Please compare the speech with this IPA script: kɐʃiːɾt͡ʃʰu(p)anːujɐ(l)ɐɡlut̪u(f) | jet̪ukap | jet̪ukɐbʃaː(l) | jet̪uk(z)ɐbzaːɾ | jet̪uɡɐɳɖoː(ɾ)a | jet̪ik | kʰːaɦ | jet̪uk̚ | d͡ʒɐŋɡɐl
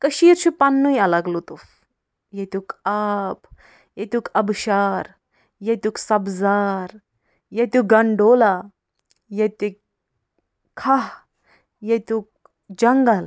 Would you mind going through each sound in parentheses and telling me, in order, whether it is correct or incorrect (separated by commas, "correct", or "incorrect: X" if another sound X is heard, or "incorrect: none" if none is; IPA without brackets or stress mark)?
correct, correct, correct, incorrect: ɾ, incorrect: s, incorrect: l